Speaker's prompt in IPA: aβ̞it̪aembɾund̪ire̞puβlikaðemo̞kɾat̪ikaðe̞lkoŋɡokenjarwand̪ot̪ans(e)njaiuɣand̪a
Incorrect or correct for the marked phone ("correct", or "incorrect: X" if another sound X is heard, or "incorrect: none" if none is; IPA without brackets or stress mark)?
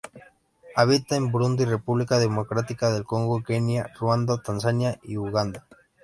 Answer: incorrect: a